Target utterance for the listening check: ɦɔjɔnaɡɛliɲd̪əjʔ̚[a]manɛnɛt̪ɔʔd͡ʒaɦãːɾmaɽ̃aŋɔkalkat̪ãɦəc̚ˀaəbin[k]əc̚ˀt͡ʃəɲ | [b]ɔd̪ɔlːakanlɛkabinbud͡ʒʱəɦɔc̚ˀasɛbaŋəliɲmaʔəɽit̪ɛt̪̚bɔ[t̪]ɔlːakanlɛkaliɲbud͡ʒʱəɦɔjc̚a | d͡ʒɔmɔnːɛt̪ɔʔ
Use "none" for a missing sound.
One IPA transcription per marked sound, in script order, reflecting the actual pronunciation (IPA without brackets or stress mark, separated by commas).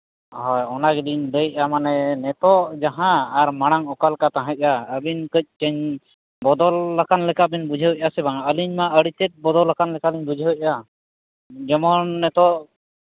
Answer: a, k, b, d̪